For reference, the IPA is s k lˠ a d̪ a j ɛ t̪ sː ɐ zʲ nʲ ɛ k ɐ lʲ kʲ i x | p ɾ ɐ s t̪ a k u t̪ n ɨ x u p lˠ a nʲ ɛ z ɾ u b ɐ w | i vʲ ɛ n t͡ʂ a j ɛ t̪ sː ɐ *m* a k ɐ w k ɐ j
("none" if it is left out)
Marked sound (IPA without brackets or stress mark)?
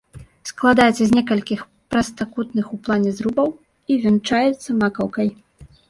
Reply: m